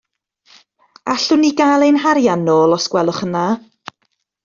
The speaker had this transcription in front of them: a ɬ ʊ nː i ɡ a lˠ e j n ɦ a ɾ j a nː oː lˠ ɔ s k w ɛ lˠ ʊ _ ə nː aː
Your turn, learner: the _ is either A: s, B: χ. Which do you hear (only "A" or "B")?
B